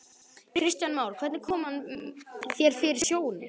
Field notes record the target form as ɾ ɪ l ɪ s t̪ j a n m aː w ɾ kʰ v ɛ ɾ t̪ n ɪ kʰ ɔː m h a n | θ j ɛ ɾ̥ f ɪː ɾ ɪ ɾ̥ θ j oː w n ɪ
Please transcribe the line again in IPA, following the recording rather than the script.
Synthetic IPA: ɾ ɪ ɾ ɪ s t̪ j a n m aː w ɾ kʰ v ɛ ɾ t̪ n ɪ kʰ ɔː m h a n | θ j ɛ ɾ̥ f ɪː ɾ ɪ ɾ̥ s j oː w n ɪ